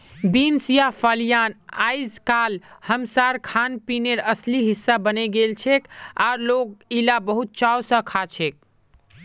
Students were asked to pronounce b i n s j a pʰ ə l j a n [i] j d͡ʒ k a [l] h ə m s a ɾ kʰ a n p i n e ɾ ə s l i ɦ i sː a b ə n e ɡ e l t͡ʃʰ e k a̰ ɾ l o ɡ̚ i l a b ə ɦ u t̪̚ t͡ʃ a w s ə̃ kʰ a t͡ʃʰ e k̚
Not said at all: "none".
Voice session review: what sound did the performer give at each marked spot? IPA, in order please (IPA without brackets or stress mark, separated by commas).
a, l